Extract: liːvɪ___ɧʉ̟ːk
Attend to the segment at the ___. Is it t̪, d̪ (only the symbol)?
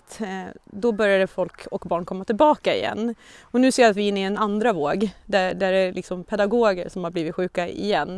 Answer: t̪